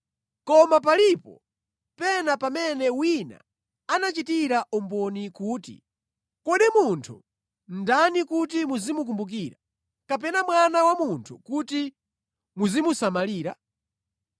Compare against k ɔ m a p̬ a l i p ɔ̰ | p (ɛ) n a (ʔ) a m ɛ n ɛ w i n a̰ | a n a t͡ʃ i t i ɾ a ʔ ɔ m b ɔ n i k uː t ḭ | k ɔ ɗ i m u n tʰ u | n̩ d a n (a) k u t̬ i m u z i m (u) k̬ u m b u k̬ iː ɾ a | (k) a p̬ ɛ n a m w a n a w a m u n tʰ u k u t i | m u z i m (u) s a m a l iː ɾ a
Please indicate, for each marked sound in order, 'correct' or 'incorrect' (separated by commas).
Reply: correct, incorrect, incorrect, correct, correct, correct